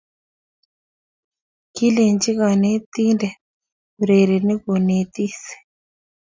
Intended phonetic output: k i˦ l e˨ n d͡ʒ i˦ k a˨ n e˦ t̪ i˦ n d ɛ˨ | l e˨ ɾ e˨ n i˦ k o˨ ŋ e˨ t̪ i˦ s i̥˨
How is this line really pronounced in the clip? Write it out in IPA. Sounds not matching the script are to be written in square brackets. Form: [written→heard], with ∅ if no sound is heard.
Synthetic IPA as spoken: k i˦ l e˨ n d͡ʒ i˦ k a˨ n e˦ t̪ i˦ n d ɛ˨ | [l→ɾ] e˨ ɾ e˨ n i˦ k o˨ [ŋ→n] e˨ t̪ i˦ s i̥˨